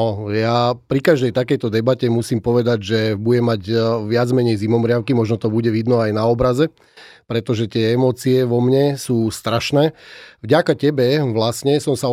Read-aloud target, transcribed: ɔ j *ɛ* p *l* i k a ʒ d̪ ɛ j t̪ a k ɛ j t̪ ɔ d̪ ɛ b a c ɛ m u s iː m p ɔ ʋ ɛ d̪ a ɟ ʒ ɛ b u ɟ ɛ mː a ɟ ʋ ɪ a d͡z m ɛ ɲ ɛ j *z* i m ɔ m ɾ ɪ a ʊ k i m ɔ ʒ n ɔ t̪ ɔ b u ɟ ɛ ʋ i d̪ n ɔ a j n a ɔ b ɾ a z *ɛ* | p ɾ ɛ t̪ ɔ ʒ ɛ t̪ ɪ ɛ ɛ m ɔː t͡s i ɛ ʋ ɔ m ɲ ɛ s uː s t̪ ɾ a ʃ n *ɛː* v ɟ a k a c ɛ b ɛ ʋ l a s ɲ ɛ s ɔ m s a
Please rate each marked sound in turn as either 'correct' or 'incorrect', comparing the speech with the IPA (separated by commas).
incorrect, incorrect, correct, correct, correct